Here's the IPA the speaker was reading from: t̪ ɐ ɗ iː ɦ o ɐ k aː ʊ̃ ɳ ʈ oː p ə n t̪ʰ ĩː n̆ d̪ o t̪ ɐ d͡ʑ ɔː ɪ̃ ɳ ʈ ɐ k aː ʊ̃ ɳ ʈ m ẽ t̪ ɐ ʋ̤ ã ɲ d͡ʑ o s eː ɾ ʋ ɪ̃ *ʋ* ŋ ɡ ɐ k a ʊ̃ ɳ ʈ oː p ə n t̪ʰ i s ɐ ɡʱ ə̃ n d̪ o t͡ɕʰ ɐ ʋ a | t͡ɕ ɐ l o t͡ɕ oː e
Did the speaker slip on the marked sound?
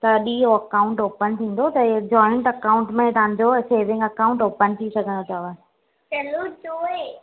yes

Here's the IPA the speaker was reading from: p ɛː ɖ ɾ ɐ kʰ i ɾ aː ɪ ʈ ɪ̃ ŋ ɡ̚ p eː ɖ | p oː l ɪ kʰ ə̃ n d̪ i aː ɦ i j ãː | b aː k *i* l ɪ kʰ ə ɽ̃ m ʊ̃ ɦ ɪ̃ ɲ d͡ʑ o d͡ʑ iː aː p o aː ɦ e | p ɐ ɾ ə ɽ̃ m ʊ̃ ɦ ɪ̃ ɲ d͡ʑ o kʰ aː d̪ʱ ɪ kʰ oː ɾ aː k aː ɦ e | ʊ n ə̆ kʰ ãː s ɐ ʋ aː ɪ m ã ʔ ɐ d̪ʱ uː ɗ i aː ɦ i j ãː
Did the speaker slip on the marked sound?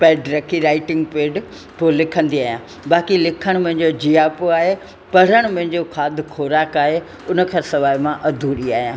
no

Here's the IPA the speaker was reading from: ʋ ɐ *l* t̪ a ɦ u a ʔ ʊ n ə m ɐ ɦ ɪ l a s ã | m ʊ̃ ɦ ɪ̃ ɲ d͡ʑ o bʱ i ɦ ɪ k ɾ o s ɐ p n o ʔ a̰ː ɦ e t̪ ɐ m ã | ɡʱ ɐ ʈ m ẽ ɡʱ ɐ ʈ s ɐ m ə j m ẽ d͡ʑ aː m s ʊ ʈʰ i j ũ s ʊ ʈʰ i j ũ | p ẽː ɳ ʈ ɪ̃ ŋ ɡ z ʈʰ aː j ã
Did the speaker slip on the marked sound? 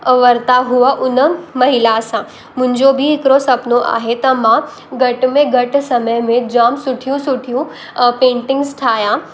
yes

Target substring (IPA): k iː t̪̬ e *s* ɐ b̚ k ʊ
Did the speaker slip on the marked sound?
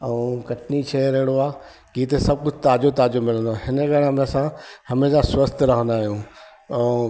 no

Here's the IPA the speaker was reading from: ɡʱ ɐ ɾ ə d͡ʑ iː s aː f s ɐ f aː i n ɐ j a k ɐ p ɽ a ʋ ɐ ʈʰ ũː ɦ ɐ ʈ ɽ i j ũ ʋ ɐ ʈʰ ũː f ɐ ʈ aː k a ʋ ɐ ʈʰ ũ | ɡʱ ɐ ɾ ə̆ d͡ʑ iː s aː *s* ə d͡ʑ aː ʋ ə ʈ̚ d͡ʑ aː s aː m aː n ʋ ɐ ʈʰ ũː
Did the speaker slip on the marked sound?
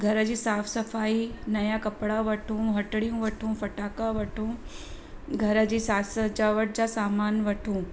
no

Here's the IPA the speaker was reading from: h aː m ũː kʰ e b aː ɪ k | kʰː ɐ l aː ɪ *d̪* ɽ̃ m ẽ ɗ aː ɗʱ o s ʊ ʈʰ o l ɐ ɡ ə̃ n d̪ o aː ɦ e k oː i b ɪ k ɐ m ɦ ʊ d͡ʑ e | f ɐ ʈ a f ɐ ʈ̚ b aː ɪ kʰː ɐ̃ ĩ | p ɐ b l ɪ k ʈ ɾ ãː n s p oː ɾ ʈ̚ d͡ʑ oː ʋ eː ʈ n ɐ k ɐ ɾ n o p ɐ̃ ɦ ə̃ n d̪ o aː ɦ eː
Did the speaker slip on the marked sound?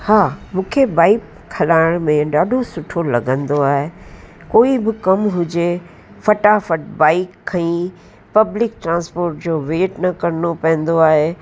yes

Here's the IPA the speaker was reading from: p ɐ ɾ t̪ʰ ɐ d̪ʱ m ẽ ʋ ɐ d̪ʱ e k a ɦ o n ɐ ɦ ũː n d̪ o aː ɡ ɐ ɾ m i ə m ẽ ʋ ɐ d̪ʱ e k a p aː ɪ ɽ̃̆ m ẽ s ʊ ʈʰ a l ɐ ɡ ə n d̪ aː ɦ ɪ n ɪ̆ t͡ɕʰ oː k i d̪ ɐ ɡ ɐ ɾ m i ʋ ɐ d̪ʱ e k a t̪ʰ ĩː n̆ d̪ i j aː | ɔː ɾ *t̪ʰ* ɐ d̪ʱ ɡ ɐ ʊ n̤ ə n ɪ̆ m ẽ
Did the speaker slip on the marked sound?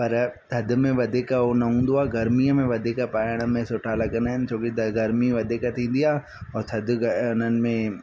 no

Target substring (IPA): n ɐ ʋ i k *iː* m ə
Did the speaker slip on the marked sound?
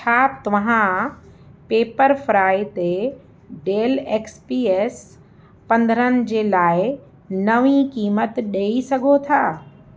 no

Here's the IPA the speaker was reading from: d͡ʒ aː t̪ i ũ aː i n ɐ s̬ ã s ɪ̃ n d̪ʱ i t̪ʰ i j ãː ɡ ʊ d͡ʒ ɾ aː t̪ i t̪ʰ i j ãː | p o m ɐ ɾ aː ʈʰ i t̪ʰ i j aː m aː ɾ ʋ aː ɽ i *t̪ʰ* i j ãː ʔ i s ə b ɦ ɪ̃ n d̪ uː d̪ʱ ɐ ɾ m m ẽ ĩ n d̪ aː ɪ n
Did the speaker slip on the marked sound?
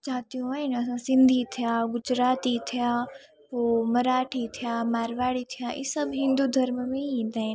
no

